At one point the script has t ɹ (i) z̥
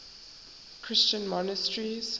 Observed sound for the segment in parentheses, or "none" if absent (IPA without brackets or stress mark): i